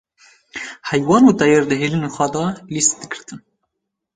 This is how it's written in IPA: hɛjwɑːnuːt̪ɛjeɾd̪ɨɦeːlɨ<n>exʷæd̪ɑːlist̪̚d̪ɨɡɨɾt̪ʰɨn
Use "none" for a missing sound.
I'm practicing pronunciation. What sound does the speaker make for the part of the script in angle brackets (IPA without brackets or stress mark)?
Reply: n